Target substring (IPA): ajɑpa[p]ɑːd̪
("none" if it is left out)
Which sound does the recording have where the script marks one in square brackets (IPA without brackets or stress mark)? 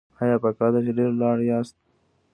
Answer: k